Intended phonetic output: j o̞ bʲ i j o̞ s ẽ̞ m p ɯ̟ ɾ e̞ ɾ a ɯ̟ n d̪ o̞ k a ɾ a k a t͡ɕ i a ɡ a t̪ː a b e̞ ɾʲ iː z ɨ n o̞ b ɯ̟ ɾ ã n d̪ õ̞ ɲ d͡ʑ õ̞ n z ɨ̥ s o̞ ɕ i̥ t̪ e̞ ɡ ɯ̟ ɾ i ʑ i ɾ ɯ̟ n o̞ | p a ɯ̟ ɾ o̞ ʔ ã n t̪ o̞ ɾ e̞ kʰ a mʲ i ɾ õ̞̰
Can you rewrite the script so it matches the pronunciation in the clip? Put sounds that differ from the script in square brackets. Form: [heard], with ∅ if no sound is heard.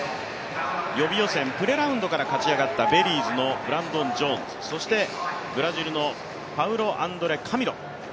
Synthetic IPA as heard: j o̞ bʲ i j o̞ s ẽ̞ m p ɯ̟ ɾ e̞ ɾ a ɯ̟ n d̪ o̞ k a ɾ a k a t͡ɕ i a ɡ a t̪ː a b e̞ ɾʲ iː z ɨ n o̞ b ɯ̟ ɾ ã n d̪ õ̞ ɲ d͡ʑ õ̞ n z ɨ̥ s o̞ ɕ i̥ t̪ e̞ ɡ ɯ̟ ɾ [a] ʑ i ɾ ɯ̟ n o̞ | p a ɯ̟ ɾ o̞ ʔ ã n [d̪] o̞ ɾ e̞ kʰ a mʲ i ɾ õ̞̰